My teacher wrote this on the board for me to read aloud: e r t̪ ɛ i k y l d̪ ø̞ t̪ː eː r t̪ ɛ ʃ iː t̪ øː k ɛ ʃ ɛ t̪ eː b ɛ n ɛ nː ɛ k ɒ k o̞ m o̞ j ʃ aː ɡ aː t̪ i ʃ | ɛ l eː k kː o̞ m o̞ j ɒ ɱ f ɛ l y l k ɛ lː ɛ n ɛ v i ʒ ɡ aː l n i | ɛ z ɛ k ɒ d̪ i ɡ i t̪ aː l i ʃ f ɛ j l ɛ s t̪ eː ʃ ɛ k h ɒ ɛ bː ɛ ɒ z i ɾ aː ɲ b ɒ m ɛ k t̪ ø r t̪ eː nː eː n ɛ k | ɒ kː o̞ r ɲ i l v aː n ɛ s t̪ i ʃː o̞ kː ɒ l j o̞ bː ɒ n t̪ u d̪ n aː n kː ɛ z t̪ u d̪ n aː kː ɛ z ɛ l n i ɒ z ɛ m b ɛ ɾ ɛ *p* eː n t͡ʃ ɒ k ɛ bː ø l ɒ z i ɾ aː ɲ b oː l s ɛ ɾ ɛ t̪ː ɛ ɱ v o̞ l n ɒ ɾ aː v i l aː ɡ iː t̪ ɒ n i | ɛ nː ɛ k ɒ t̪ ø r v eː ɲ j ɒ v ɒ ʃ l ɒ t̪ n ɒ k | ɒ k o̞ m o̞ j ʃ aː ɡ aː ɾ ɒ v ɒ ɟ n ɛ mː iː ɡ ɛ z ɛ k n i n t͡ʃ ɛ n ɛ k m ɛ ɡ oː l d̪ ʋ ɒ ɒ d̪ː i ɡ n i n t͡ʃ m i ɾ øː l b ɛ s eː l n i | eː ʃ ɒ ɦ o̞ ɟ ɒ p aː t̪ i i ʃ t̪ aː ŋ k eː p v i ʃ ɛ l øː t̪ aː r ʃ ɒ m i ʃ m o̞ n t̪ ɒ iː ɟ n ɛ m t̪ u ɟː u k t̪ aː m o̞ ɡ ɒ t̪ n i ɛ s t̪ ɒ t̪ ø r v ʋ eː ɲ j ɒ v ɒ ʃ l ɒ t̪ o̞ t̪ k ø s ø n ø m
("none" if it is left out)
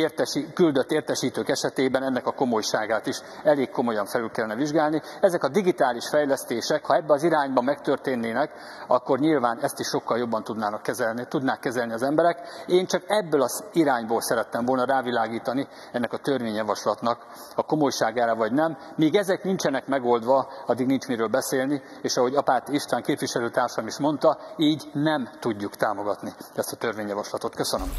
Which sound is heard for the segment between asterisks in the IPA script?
k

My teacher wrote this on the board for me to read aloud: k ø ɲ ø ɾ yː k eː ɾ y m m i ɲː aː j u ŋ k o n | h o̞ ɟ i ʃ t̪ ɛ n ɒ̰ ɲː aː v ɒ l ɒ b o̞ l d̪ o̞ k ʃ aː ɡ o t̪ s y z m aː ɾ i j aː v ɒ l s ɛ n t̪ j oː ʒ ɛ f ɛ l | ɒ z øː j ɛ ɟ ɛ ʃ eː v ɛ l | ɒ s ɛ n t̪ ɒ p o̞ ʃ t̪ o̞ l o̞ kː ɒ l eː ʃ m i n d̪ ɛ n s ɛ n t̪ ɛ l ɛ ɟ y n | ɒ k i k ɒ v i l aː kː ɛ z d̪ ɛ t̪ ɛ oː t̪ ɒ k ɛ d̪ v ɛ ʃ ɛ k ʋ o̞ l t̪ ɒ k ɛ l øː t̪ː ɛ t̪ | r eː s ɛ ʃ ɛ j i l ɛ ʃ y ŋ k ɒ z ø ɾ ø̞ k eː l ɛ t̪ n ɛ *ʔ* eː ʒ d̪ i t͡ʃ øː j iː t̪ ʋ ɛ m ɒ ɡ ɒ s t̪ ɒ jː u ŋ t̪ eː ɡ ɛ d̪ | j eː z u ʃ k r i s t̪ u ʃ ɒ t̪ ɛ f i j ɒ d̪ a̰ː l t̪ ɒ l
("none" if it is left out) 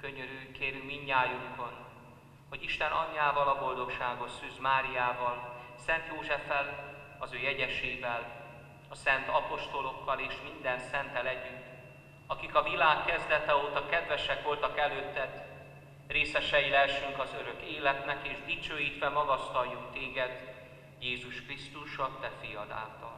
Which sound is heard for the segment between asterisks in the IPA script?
k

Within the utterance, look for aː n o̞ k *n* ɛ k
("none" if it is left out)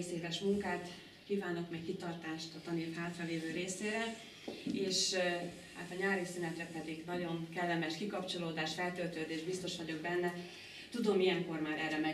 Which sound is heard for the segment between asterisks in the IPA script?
m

